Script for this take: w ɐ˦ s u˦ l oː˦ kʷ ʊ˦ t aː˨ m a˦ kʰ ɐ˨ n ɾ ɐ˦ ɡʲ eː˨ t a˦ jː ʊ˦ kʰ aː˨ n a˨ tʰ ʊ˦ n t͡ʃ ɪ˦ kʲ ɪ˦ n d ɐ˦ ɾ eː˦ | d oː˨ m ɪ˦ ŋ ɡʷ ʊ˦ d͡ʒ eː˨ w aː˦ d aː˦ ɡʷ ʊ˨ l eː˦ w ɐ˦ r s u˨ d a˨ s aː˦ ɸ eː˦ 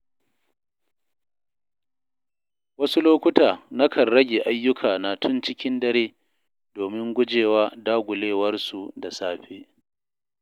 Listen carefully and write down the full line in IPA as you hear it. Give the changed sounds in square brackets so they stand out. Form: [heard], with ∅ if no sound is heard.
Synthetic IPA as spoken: w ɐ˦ s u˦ l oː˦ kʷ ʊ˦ t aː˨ [n] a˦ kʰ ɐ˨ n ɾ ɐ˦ ɡʲ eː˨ [ʔ] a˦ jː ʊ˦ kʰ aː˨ n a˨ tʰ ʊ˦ n t͡ʃ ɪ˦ kʲ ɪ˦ n d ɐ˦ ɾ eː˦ | d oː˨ m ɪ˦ ŋ ɡʷ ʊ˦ d͡ʒ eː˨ w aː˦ d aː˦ ɡʷ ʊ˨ l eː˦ w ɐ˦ r s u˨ d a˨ s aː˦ ɸ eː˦